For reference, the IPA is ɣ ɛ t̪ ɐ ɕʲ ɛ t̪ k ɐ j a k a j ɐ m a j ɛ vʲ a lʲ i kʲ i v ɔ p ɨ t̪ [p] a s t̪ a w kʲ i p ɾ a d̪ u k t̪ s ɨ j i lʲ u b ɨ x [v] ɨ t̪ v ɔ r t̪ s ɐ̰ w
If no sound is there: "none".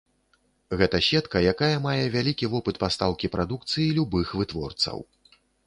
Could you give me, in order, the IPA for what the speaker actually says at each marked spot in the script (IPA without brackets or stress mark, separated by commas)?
p, v